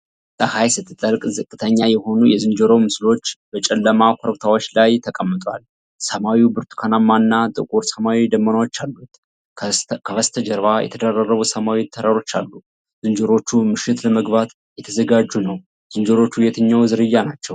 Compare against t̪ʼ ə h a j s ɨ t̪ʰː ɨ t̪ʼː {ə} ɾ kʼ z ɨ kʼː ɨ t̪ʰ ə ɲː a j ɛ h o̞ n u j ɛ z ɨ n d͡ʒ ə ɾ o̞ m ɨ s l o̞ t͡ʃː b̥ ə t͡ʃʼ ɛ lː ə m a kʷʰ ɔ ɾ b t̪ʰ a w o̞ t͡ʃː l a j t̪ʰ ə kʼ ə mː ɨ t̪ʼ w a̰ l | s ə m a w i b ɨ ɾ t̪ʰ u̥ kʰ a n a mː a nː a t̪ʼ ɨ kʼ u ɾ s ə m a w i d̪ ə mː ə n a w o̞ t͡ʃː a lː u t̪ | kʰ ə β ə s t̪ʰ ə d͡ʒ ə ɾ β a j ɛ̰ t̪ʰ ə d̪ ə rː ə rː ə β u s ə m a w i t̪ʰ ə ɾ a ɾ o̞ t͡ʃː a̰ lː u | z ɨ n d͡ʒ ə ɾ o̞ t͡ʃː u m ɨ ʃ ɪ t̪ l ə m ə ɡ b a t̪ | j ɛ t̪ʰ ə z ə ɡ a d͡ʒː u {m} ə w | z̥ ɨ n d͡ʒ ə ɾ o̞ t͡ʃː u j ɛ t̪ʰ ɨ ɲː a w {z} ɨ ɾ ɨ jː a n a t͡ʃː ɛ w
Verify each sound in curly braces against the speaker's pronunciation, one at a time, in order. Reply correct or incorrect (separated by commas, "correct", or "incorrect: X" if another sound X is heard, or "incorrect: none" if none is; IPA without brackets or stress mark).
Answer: correct, incorrect: n, correct